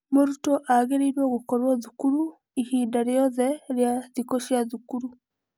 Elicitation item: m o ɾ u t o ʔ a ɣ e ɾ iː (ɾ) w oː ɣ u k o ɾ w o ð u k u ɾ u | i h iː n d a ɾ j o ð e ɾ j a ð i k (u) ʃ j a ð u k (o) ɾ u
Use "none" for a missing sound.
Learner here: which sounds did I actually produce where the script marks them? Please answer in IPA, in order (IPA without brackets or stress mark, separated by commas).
ɾ, o, u